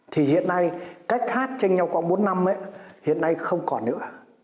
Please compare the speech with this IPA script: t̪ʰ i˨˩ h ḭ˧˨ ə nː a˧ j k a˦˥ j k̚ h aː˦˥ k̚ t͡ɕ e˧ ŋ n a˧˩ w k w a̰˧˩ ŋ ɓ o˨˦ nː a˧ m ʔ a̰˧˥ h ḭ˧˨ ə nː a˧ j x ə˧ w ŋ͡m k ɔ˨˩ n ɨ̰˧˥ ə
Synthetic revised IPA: t̪ʰ i˨˩ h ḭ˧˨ ə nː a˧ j k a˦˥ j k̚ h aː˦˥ t̚ t͡ɕ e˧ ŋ ɲ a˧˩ w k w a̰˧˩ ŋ ɓ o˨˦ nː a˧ m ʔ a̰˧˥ h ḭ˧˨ ə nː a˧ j x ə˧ w ŋ͡m k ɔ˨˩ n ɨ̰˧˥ ə